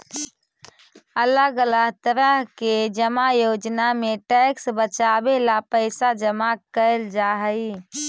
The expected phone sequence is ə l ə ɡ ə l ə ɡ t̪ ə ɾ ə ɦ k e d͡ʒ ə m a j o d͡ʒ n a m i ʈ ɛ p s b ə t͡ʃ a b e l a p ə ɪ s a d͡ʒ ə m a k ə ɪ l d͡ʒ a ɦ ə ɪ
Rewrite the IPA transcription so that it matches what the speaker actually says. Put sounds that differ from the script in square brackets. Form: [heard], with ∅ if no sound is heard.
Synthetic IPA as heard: ə l ə ɡ ə l ə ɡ t̪ ə ɾ ə ɦ k e d͡ʒ ə m a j o d͡ʒ n a m [e] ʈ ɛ [k] s b ə t͡ʃ a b e l a p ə ɪ s a d͡ʒ ə m a k ə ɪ l d͡ʒ a ɦ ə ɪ